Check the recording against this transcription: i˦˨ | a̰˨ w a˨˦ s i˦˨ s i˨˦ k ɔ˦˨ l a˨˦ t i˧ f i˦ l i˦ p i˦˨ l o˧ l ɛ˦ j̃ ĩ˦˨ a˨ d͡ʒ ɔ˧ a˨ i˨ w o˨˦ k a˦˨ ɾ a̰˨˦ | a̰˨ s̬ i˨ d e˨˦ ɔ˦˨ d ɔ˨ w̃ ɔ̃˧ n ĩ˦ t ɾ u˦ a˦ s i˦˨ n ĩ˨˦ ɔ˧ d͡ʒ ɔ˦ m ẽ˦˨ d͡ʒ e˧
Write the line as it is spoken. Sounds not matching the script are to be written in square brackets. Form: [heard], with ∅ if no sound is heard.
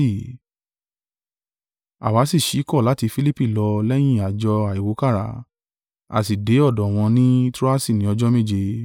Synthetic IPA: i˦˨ | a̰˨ w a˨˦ s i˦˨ [ʃ] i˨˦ k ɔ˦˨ l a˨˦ t i˧ f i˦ l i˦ p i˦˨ l [ɔ˧] l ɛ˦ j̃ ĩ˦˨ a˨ d͡ʒ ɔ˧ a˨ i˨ w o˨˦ k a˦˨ ɾ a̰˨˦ | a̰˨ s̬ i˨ d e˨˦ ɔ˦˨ d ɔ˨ w̃ ɔ̃˧ n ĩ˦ t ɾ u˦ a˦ s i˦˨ n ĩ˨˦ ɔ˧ d͡ʒ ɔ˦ m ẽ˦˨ d͡ʒ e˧